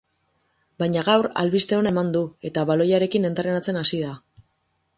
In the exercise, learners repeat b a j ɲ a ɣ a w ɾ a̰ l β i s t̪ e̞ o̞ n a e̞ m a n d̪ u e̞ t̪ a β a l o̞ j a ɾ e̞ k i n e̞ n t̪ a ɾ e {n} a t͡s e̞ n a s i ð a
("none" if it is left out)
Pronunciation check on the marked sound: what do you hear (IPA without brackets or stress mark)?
n